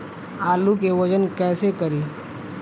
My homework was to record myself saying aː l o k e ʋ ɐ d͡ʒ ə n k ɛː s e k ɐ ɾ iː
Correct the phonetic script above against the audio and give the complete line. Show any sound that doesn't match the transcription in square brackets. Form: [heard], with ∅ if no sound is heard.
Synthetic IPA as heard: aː l [u] k e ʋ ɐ d͡ʒ ə n k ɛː s e k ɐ ɾ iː